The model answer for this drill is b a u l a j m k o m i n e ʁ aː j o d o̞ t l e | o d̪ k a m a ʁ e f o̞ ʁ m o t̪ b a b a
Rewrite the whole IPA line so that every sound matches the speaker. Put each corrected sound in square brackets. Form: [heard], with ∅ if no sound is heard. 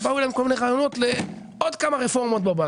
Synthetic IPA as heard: b a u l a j m k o m i n e ʁ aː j o [n] o̞ t l e | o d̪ k a m a ʁ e f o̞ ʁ m o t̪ b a b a